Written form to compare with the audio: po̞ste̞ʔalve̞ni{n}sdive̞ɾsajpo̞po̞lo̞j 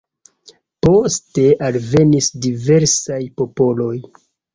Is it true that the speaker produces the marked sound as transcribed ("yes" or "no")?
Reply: no